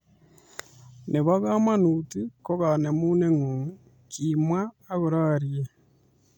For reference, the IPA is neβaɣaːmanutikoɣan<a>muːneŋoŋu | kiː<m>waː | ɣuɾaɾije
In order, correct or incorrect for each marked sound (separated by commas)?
incorrect, correct